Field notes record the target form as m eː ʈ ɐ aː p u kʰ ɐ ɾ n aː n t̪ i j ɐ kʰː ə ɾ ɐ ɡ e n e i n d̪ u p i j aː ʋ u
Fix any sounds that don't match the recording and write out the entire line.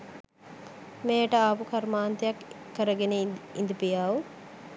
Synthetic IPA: m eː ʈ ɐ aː p u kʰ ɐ ɾ m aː n t̪ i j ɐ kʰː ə ɾ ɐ ɡ e n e i n d̪ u p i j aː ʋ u